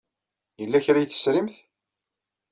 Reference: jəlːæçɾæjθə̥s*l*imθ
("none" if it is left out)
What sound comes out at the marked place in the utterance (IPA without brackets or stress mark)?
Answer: ɾ